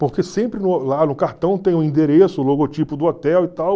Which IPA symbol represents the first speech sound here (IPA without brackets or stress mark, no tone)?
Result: p